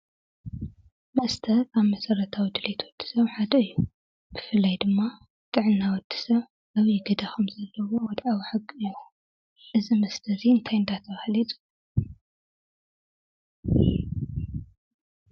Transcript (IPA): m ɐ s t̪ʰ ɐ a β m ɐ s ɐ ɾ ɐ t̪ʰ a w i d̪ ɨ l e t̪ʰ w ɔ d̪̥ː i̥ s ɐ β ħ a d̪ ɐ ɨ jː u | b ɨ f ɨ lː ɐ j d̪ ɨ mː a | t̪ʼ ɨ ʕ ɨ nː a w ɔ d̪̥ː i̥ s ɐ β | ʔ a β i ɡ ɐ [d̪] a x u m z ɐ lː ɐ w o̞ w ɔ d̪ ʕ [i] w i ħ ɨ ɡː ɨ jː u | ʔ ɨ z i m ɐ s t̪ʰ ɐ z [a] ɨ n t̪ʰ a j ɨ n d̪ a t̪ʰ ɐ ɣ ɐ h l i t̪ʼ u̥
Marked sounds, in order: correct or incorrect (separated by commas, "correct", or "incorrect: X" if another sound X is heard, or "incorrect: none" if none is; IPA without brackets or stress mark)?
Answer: correct, incorrect: a, incorrect: i